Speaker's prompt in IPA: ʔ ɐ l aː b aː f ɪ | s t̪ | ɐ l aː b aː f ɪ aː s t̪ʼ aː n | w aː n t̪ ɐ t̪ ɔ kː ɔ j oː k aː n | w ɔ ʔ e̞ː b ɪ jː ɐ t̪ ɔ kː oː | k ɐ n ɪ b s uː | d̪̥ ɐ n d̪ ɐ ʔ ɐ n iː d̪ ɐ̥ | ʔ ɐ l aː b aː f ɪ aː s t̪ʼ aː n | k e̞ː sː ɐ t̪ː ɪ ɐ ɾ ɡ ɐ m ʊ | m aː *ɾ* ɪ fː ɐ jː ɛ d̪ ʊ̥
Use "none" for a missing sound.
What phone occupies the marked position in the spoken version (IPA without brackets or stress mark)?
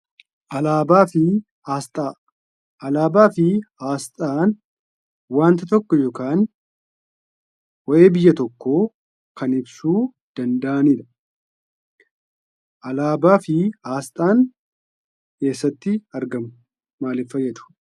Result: l